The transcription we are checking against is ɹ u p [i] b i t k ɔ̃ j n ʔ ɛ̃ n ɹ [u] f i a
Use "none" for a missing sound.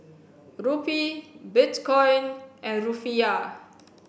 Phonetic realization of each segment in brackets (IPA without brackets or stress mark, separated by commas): i, u